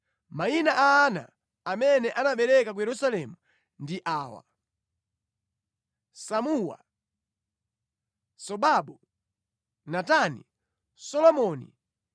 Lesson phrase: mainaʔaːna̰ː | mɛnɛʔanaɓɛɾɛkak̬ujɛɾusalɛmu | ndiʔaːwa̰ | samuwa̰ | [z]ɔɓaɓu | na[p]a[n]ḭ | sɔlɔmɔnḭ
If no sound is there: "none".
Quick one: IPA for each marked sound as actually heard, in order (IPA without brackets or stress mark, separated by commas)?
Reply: s, t, n